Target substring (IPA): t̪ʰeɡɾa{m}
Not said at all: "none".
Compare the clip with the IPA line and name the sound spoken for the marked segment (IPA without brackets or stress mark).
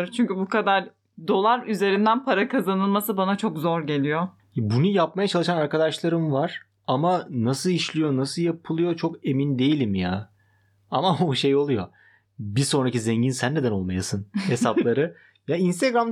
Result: m